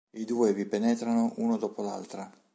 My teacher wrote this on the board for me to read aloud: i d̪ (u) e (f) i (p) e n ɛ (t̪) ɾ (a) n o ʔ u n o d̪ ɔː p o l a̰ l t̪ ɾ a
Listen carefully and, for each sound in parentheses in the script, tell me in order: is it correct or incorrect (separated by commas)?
incorrect, incorrect, correct, correct, correct